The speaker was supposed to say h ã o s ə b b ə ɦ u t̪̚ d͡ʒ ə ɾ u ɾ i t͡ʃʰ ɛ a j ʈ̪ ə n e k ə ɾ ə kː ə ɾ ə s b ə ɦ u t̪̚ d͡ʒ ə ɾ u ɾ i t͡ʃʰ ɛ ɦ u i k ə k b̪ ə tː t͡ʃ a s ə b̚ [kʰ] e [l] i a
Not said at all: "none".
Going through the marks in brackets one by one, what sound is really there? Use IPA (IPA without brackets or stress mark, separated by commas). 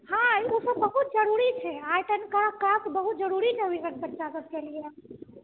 k, l